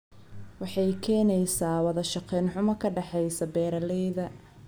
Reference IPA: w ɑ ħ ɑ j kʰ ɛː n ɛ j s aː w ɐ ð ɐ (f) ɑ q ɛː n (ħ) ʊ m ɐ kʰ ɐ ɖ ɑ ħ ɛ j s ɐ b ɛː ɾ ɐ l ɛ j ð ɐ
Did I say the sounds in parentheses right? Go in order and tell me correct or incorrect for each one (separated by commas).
incorrect, correct